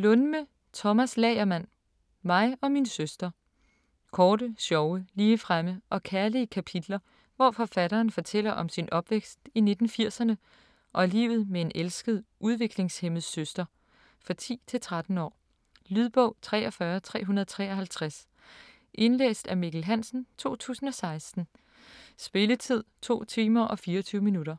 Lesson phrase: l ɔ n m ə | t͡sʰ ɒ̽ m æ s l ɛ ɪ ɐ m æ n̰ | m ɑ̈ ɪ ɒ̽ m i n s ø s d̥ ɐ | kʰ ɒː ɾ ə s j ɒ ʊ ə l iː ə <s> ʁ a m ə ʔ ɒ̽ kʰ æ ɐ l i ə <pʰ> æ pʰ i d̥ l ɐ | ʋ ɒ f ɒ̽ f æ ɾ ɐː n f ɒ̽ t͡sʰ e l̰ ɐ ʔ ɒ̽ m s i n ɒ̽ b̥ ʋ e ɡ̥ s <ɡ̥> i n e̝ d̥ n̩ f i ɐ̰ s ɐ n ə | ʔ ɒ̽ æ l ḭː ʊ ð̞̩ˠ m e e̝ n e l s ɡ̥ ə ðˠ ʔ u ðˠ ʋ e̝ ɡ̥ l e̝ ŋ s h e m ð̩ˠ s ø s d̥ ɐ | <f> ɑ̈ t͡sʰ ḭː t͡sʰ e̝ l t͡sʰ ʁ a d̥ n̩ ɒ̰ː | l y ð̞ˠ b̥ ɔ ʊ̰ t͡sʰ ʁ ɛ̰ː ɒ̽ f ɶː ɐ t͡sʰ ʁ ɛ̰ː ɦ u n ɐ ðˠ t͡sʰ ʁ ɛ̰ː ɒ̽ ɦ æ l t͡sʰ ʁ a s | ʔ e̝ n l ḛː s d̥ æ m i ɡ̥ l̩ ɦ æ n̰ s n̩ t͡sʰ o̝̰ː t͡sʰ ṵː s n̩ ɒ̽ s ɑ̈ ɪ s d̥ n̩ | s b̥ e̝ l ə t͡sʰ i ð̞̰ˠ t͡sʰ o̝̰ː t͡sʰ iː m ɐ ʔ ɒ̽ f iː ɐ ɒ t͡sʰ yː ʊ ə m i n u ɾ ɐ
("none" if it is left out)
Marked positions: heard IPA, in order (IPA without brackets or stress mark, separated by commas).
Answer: f, kʰ, d̥, f